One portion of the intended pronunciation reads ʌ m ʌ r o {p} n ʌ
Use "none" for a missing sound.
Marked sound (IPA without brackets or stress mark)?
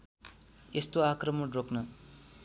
k